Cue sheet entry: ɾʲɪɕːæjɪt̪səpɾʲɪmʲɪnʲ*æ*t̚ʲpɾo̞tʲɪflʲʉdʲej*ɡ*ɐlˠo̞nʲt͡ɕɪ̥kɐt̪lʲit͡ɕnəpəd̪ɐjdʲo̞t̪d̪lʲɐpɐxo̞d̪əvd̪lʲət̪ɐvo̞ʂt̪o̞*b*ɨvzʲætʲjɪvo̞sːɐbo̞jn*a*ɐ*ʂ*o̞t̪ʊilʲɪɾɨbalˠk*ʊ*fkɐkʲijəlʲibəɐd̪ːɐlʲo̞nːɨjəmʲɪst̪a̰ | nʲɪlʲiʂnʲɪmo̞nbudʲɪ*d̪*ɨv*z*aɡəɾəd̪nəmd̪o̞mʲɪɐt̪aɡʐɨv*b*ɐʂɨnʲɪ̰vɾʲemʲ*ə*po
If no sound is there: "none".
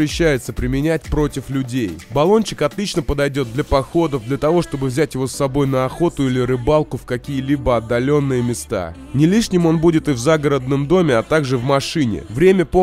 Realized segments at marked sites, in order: æ, b, b, ə, x, ʊ, t̪, z, m, ə

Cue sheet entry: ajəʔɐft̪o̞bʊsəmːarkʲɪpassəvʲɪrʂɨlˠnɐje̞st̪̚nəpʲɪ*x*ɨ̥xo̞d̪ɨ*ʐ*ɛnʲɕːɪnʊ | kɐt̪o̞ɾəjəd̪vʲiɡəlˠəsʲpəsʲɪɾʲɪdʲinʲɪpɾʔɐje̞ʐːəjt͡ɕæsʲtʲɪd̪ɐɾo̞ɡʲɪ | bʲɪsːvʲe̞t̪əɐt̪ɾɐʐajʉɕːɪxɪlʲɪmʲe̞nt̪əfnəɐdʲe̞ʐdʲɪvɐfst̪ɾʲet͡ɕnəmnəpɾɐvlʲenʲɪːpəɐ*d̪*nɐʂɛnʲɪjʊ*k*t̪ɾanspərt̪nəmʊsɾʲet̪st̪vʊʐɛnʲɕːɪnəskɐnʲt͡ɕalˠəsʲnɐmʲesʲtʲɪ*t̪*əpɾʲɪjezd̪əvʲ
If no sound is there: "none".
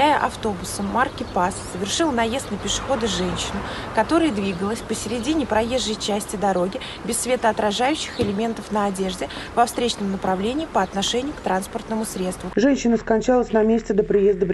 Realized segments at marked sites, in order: ʂ, ʐ, t̪, k, d̪

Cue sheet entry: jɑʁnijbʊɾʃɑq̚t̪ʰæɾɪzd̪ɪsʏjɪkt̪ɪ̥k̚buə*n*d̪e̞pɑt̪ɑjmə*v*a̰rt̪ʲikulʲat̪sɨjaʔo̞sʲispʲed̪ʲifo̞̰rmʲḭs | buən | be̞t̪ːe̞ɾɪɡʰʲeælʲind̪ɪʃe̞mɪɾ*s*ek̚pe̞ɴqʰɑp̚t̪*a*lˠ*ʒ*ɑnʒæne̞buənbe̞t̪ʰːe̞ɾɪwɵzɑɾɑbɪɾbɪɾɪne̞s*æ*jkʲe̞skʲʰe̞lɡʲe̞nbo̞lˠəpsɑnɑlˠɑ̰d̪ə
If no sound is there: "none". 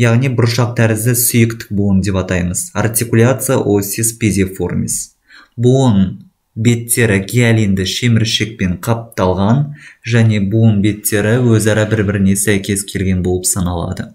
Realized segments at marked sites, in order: n, z, ʃ, ɑ, ʁ, æ

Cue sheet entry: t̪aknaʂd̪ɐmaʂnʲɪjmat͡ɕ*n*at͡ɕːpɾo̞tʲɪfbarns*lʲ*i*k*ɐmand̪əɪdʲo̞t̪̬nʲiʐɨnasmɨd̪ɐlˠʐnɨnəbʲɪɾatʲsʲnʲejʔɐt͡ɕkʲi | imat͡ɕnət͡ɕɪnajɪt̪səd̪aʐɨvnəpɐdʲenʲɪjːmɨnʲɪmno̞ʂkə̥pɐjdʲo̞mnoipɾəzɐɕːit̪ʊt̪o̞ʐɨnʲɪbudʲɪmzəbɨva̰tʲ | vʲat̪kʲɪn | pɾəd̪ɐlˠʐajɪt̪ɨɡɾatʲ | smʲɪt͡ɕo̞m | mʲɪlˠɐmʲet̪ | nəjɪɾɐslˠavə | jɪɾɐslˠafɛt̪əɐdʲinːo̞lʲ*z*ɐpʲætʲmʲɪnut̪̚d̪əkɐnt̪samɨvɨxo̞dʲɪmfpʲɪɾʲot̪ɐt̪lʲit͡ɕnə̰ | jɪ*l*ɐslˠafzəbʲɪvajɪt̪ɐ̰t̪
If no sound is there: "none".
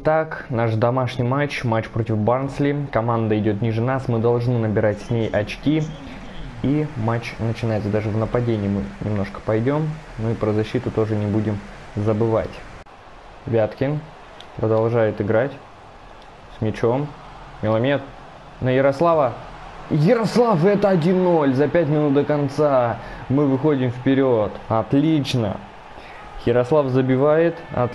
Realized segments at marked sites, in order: m, lʲ, k, z, ɾ

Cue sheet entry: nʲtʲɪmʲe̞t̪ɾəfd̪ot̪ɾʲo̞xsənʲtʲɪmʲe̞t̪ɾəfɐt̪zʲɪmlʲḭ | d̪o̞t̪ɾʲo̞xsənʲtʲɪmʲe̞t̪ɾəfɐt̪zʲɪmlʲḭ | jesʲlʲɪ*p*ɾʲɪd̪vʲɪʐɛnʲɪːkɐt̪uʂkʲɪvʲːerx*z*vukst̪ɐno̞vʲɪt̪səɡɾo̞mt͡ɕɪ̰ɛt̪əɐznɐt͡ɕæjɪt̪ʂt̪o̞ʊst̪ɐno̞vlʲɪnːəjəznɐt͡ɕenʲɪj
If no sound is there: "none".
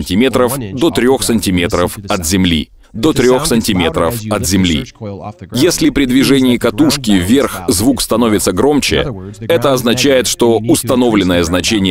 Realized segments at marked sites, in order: p, z

